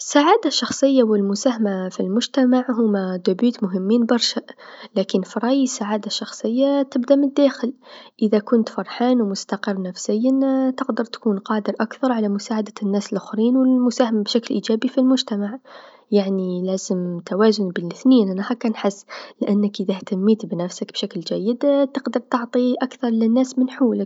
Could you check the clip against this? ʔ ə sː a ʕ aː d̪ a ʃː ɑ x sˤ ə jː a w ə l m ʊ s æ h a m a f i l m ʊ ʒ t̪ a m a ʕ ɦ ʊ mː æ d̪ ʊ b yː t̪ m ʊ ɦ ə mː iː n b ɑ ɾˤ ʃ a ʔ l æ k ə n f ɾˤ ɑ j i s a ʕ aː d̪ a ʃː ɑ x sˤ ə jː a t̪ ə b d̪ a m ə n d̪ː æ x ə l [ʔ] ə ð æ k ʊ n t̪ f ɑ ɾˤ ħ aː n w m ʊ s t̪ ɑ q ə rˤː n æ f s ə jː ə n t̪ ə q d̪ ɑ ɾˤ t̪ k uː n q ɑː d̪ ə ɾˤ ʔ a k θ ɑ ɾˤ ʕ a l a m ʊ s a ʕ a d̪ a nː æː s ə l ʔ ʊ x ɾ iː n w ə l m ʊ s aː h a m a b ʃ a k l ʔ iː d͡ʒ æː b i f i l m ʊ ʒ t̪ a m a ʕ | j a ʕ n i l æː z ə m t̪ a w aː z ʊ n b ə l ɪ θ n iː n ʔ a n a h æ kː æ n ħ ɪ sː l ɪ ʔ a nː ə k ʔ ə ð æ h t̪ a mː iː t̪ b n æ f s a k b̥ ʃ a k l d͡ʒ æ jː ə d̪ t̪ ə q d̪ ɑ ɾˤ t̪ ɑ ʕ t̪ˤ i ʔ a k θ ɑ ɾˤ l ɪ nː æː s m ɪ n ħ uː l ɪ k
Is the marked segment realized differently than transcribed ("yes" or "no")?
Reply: no